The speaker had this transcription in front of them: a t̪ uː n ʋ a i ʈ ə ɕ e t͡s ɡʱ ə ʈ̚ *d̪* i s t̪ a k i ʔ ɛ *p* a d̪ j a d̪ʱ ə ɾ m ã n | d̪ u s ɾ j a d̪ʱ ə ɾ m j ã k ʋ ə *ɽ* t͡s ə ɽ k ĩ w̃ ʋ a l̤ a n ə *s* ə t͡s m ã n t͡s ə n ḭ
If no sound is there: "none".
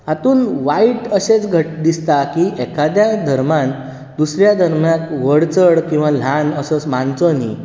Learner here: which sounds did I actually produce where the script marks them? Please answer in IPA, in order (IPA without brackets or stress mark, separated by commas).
d̪, k, ɽ, s